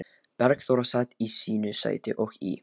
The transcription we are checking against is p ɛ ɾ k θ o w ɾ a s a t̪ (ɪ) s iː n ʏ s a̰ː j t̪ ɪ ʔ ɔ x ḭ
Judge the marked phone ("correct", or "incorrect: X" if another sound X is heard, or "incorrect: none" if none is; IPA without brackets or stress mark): incorrect: i